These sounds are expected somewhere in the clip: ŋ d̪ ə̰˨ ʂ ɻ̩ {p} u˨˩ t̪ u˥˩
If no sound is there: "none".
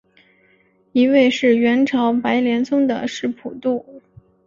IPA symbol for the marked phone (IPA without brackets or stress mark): pʰ